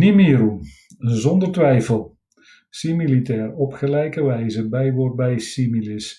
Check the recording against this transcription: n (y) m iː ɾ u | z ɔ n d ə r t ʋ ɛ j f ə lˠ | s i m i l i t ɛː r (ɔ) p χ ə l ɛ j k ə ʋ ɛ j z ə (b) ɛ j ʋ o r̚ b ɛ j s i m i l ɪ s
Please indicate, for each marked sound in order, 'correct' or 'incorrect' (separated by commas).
incorrect, correct, correct